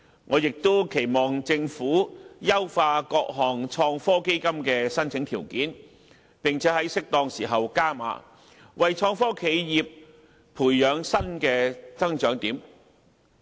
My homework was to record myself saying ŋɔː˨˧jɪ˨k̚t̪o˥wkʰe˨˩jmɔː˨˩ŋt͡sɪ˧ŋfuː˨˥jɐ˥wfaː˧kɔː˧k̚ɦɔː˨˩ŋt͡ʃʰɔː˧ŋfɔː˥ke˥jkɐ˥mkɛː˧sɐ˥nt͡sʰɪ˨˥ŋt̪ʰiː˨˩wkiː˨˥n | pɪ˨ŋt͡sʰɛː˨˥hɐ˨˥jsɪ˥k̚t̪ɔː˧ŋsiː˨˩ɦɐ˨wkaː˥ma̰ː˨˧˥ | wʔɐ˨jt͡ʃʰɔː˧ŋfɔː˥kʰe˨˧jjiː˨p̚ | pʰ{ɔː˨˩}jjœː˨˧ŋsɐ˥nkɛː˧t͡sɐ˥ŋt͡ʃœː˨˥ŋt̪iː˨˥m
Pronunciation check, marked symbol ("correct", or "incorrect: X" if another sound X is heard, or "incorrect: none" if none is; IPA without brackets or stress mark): incorrect: uː˨˩